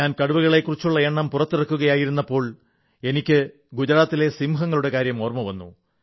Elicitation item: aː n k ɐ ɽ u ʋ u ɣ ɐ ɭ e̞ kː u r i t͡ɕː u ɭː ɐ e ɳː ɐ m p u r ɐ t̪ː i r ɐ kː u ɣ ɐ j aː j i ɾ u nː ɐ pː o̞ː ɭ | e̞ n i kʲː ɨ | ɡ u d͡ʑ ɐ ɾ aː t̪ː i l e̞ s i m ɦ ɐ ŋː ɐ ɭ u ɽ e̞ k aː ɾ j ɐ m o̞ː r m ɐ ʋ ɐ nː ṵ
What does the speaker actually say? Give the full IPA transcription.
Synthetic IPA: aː n k ɐ ɽ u ʋ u ɣ ɐ ɭ e̞ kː u r i t͡ɕː u ɭː ɐ e ɳː ɐ m p u r ɐ t̪ː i r ɐ kː u ɣ ɐ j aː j i ɾ u nː ɐ pː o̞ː ɭ | e̞ n i kʲː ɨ | ɡ u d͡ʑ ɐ ɾ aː t̪ː i l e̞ s i m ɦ ɐ ŋː ɐ ɭ u ɽ e̞ k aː ɾ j ɐ m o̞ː r m ɐ ʋ ɐ nː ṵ